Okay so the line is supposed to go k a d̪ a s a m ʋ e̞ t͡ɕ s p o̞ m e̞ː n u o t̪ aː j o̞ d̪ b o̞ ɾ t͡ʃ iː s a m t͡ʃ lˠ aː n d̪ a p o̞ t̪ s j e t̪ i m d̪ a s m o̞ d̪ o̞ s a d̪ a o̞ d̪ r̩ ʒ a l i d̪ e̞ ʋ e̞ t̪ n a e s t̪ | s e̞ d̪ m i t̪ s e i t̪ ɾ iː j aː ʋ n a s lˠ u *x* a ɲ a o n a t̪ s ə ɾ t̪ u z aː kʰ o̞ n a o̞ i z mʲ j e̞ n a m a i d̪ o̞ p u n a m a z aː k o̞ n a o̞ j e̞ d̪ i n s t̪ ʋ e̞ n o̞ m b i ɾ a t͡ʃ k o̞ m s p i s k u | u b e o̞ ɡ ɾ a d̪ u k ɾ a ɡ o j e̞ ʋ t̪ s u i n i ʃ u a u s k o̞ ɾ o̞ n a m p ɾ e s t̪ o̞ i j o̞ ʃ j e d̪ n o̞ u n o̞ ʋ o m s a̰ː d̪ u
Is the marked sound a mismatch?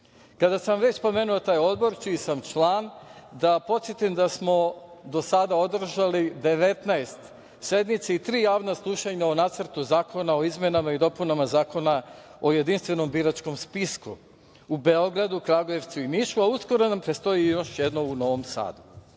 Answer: yes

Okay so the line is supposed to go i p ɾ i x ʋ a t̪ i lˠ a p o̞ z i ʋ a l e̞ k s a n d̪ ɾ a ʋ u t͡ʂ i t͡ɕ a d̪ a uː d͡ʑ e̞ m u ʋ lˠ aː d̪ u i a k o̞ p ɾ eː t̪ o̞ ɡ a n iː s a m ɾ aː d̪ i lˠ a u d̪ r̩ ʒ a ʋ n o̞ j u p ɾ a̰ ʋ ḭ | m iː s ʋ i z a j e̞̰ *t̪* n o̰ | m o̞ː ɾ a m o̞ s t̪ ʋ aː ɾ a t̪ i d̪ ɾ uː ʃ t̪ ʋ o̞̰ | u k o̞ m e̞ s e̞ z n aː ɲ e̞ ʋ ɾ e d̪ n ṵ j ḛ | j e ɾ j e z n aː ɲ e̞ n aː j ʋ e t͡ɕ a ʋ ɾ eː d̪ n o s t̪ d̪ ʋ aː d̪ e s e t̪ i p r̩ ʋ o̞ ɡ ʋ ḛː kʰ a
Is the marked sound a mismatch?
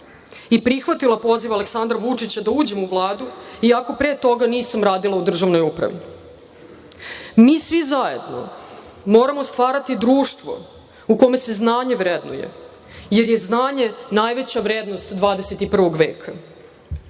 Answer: yes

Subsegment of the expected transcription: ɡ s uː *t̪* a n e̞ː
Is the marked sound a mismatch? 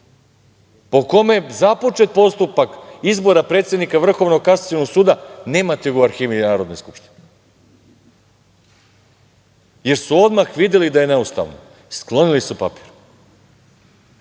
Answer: yes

